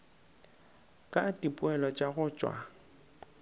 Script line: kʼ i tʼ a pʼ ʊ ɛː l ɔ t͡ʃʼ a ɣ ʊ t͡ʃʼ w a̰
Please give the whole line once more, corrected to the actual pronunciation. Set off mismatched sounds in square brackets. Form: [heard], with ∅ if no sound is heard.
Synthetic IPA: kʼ [a] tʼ [i] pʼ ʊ [ɛ] l ɔ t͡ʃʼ a ɣ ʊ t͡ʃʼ w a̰